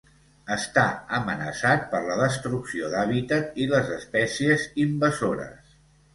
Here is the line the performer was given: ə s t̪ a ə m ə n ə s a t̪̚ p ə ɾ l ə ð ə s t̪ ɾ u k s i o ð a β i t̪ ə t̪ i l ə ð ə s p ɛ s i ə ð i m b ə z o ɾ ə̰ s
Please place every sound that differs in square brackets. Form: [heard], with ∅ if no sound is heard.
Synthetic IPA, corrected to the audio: ə s t̪ a ə m ə n ə s a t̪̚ p ə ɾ l ə ð ə s t̪ ɾ u k s i o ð a β i t̪ ə t̪ i l ə [z] ə s p ɛ s i ə [z] i m b ə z o ɾ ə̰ s